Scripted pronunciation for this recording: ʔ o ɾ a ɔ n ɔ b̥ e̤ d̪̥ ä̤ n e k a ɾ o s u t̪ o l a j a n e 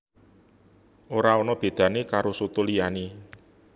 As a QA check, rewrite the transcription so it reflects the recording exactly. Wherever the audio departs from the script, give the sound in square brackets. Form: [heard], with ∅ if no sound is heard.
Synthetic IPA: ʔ o ɾ a ɔ n ɔ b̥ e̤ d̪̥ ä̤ n e k a ɾ o s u t̪ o l [i] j a n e